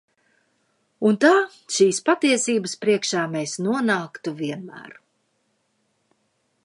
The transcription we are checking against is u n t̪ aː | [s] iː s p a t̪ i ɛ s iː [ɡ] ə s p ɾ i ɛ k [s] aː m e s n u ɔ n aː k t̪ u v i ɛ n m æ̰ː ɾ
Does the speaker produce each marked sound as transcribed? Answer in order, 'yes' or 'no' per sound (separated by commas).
no, no, no